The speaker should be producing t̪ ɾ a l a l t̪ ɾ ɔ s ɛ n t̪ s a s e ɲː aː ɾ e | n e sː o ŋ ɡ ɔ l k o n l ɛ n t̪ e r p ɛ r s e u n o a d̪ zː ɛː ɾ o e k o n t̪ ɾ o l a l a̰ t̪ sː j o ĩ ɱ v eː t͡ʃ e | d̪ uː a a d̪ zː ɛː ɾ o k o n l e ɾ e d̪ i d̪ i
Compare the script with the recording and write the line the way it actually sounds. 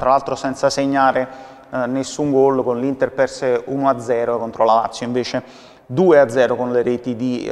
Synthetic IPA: t̪ ɾ a l a l t̪ ɾ o s ɛ n t̪ s a s e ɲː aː ɾ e | n e sː u ŋ ɡ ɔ l k o n l i n t̪ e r p ɛ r s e u n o a d̪ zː ɛː ɾ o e k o n t̪ ɾ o l a l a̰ t̪ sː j o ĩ ɱ v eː t͡ʃ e | d̪ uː e a d̪ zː ɛː ɾ o k o n l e ɾ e t̪ i d̪ i